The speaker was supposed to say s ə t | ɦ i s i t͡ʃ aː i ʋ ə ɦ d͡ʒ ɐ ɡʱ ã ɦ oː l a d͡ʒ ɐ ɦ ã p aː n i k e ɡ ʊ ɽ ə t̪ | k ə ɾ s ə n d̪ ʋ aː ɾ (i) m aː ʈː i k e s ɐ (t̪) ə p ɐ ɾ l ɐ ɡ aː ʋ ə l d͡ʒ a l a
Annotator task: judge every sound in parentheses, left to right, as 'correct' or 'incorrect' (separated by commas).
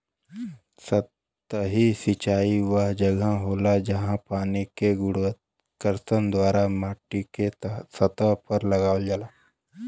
incorrect, correct